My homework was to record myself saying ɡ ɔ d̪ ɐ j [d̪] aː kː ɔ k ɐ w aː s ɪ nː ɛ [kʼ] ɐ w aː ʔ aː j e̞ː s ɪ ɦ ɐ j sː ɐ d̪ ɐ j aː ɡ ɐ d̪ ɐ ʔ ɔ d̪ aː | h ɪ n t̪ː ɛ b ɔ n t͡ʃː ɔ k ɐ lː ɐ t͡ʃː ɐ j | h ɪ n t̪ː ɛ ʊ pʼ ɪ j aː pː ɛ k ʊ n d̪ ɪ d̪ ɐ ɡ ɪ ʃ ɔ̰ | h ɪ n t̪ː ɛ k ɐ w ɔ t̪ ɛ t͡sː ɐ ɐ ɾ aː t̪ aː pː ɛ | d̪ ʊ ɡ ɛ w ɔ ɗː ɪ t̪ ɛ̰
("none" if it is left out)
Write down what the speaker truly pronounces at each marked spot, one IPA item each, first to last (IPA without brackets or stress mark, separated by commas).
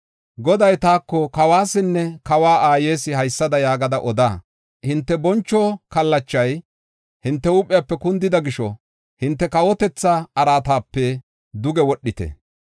t̪, k